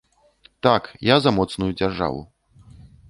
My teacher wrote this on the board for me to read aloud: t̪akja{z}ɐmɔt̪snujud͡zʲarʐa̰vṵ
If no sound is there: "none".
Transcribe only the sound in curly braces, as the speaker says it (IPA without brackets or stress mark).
z